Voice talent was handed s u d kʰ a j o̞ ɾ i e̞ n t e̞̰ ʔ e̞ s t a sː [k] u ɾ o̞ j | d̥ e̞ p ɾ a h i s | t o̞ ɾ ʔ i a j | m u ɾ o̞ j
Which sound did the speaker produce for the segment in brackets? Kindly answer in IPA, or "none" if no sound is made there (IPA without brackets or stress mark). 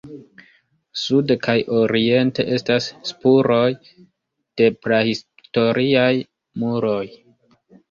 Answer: p